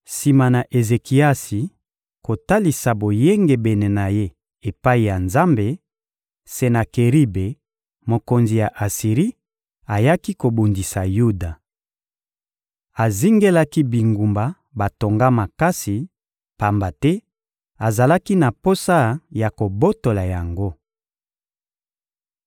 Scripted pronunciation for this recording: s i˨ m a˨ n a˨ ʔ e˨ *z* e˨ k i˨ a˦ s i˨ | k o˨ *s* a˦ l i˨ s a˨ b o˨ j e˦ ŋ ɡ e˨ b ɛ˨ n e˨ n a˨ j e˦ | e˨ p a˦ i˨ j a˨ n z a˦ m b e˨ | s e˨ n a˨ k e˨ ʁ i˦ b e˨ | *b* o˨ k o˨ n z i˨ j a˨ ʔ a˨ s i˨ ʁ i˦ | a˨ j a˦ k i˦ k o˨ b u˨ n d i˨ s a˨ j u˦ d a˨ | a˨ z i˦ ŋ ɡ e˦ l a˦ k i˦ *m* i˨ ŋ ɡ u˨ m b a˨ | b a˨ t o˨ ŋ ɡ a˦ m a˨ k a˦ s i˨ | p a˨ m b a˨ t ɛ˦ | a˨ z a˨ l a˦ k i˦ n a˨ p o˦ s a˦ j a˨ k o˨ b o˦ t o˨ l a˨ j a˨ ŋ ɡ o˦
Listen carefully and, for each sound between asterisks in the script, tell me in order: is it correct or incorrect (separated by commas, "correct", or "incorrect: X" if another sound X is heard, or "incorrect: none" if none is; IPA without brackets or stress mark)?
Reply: correct, incorrect: t, incorrect: m, incorrect: b